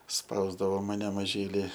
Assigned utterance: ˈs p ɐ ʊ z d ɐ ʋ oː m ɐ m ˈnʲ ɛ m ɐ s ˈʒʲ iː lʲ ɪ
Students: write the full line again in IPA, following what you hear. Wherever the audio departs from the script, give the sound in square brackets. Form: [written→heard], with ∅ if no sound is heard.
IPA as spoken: ˈs p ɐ ʊ z d ɐ ʋ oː m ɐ [m→∅] ˈnʲ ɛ m ɐ [s→∅] ˈʒʲ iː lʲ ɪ